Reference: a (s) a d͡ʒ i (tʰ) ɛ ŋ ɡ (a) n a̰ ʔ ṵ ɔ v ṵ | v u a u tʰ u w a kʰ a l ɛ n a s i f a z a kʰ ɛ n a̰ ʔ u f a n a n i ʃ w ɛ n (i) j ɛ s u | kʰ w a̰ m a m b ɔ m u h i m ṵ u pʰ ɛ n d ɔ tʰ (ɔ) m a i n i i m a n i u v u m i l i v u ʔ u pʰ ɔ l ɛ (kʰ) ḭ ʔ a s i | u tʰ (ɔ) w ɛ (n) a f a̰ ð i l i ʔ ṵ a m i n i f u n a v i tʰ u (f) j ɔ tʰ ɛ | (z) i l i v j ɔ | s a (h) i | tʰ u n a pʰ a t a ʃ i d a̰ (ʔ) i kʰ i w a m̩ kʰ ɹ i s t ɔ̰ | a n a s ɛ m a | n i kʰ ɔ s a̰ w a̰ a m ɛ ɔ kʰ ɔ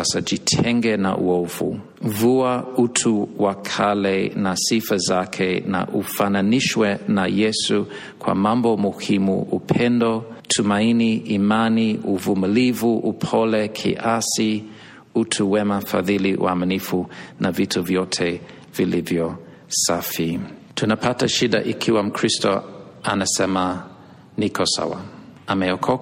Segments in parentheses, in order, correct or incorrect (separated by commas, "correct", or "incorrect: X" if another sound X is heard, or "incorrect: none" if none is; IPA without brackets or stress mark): correct, correct, incorrect: ɛ, incorrect: a, incorrect: u, correct, incorrect: u, incorrect: m, incorrect: v, incorrect: v, incorrect: f, correct